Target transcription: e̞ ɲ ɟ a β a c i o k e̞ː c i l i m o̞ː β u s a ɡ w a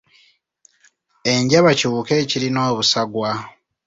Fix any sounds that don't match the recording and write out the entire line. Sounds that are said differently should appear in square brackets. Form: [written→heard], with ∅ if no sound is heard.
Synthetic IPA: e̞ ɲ ɟ a β a c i [o→u] k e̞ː c i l i [m→n] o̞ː β u s a ɡ w a